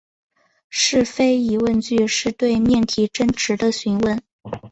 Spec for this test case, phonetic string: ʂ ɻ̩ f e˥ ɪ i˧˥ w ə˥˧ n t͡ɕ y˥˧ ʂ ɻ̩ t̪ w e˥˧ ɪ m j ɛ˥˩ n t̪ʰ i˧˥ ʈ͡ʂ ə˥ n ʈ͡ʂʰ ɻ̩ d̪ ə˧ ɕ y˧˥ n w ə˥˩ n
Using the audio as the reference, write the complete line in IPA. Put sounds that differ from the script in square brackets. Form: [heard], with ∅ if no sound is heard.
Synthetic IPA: ʂ ɻ̩ f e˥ ɪ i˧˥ w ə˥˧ n t͡ɕ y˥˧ ʂ ɻ̩ t̪ w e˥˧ ɪ m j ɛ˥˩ n t̪ʰ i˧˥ ʈ͡ʂ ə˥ n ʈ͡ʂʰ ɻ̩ d̪ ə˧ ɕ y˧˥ n w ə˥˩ n